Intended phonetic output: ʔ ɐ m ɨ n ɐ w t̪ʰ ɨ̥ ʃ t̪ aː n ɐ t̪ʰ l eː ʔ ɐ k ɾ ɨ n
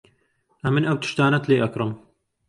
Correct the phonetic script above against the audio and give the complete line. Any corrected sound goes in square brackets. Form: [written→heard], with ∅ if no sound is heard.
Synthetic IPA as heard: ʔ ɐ m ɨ n ɐ w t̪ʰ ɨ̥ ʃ t̪ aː n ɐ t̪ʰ l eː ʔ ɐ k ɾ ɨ [n→m]